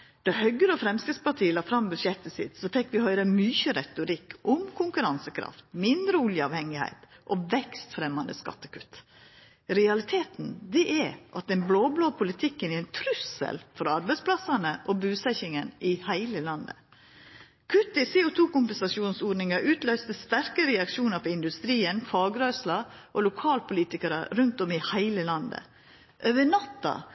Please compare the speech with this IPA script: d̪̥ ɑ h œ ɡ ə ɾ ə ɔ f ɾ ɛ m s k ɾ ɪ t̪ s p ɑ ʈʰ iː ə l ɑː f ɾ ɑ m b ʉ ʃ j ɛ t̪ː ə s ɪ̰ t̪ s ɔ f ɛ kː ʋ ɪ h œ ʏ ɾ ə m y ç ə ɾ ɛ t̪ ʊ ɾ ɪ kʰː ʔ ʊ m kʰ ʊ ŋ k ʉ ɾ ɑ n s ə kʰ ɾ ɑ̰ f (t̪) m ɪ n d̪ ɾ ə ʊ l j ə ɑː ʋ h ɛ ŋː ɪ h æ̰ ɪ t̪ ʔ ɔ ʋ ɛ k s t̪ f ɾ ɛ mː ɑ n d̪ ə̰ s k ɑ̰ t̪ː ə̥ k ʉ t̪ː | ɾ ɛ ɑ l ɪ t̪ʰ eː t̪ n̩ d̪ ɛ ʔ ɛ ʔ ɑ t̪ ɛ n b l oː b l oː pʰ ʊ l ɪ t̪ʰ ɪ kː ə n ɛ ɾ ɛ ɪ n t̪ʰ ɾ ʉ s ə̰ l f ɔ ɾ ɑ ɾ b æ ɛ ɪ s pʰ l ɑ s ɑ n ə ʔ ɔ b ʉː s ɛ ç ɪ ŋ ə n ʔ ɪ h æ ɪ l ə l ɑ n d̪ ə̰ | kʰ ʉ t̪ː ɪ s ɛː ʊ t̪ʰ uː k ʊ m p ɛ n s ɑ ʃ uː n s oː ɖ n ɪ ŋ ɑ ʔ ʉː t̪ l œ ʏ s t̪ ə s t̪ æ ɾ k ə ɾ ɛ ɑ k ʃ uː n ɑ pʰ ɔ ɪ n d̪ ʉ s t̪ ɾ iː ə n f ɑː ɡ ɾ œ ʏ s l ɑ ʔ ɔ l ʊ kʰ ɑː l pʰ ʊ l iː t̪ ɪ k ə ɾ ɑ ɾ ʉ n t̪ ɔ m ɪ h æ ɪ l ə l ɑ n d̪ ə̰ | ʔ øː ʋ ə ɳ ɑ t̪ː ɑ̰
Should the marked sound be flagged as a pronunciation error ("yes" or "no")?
no